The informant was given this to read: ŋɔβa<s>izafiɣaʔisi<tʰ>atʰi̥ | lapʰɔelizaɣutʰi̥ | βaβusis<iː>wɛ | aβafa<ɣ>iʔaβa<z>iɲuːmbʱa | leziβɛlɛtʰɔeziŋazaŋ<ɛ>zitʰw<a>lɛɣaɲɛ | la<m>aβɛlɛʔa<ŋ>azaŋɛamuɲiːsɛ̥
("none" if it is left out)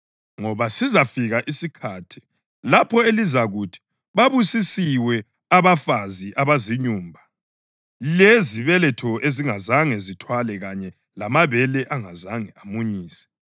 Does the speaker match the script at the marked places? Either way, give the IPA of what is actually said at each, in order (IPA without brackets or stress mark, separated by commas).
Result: s, kʰ, i, z, z, ɛ, a, m, ŋ